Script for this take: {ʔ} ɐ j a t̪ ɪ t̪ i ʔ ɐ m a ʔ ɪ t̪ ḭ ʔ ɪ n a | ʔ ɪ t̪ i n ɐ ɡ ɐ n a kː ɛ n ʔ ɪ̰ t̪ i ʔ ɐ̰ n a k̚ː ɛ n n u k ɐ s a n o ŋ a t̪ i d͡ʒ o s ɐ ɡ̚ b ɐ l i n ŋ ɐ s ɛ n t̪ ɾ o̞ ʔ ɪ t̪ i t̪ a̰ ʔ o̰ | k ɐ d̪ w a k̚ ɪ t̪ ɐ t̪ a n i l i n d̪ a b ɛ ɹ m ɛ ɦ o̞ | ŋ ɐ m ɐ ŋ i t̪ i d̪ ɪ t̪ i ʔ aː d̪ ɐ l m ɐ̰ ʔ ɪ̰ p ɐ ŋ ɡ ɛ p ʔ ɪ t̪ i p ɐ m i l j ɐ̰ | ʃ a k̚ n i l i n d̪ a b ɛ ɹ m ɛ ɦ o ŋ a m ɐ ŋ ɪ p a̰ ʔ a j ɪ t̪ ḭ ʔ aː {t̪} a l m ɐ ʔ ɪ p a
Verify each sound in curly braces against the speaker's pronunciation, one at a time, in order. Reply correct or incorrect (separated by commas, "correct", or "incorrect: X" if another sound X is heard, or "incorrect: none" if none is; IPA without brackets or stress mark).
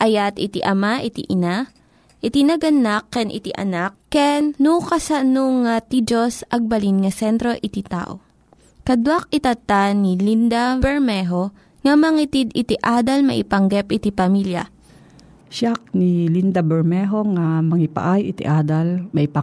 correct, incorrect: d̪